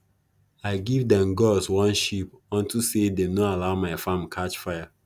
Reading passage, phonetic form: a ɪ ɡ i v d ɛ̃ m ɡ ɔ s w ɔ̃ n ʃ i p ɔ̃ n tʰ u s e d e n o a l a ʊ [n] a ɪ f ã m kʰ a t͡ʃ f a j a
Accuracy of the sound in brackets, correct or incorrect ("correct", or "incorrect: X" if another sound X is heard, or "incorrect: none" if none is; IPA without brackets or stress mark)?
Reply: incorrect: m